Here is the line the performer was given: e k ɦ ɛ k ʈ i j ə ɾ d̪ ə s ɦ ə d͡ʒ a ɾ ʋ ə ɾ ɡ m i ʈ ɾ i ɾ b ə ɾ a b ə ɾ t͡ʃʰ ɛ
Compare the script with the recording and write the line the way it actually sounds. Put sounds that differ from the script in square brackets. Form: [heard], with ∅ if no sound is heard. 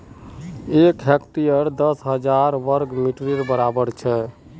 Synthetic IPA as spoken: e k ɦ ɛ k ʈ i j ə ɾ d̪ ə s ɦ ə d͡ʒ a ɾ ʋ ə ɾ ɡ m i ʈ ɾ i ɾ b ə ɾ a b ə ɾ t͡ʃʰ ɛ